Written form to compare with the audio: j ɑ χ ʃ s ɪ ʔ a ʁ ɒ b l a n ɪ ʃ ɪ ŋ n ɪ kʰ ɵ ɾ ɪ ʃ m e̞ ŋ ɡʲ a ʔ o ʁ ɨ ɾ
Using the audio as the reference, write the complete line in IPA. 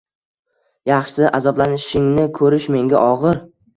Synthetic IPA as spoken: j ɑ χ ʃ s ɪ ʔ a z ɒ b l a n ɪ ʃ ɪ ŋ n ɪ kʰ ɵ ɾ ɪ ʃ m e̞ ŋ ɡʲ a ʔ ɒ ʁ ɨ ɾ

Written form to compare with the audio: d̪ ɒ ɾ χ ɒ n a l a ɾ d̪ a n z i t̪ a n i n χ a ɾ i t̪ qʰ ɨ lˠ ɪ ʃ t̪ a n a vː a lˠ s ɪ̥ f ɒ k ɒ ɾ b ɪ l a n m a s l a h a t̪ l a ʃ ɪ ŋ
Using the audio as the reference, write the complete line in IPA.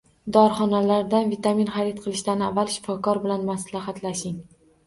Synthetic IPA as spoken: d̪ ɒ ɾ χ ɒ n a l a ɾ d̪ a n v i t̪ a m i n χ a ɾ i t̪ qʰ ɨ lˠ ɪ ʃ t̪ a n a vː a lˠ ʃ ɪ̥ f ɒ k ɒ ɾ b ɪ l a n m a s l a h a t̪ l a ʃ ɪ ŋ

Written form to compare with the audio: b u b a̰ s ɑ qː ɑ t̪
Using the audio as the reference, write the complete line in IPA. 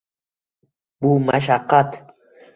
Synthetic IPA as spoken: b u m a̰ ʃ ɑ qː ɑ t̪

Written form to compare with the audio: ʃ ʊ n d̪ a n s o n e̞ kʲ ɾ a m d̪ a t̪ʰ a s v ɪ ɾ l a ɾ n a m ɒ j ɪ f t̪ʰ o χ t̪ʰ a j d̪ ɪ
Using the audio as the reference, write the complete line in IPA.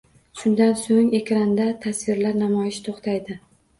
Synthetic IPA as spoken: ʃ ʊ n d̪ a n s o ŋ e̞ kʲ ɾ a n d̪ a t̪ʰ a s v ɪ ɾ l a ɾ n a m ɒ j ɪ ʃ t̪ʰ o χ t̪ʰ a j d̪ ɪ

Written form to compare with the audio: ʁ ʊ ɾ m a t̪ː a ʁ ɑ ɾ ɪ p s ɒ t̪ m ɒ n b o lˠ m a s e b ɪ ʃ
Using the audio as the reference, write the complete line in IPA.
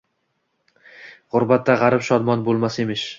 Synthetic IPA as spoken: ʁ ʊ ɾ b a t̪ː a ʁ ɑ ɾ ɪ p ʃ ɒ d̪ m ɒ n b o lˠ m a s e m ɪ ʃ

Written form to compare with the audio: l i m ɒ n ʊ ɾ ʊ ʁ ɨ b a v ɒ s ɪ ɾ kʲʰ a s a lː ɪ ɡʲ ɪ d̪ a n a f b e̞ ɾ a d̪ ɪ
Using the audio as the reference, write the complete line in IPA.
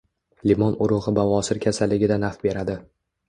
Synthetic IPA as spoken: l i m ɒ n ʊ ɾ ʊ ʁ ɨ b a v ɒ s ɪ ɾ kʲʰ a s a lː ɪ ɡʲ ɪ d̪ a n a f b e̞ ɾ a d̪ ɪ

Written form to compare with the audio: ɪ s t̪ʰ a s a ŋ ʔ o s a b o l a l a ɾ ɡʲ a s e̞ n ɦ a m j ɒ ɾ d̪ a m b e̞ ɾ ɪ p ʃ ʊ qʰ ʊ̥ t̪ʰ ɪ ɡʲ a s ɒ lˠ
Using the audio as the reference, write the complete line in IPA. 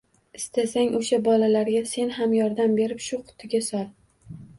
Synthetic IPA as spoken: ɪ s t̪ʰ a s a ŋ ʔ o ʃ a b ɒ l a l a ɾ ɡʲ a s e̞ n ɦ a m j ɒ ɾ d̪ a m b e̞ ɾ ɪ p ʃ ʊ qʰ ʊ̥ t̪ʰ ɪ ɡʲ a s ɒ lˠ

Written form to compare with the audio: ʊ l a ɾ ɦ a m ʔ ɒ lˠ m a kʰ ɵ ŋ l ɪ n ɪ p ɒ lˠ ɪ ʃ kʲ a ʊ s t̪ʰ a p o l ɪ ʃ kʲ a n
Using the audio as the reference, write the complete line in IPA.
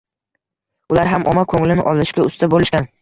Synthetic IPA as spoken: ʊ l a ɾ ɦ a m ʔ ɒ m a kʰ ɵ ŋ l ɪ n ɪ ʔ ɒ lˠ ɪ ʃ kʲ a ʊ s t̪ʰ a b o l ɪ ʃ kʲ a n

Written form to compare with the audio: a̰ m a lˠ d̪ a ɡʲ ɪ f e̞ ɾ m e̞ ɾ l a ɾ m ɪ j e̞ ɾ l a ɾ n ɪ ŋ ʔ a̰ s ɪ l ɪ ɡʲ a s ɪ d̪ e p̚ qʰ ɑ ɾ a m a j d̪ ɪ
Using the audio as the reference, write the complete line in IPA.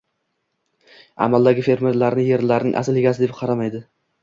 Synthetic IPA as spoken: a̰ m a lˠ d̪ a ɡʲ ɪ f e̞ ɾ m e̞ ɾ l a ɾ n ɪ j e̞ ɾ l a ɾ n ɪ ŋ ʔ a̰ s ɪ l ɪ ɡʲ a s ɪ d̪ e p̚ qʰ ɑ ɾ a m a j d̪ ɪ

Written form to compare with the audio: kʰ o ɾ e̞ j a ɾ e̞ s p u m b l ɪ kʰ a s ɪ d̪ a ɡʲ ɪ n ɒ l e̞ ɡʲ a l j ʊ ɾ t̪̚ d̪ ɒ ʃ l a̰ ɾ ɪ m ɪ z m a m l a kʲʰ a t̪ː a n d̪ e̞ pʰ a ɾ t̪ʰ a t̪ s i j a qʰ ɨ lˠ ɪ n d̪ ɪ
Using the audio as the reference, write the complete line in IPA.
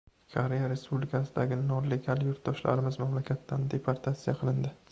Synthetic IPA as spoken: kʰ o ɾ e̞ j a ɾ e̞ s p u b l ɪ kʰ a s ɪ d̪ a ɡʲ ɪ n ɒ l e̞ ɡʲ a l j ʊ ɾ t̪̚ d̪ ɒ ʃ l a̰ ɾ ɪ m ɪ z m a m l a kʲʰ a t̪ː a n d̪ e̞ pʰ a ɾ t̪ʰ a t̪ s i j a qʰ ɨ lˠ ɪ n d̪ ɪ

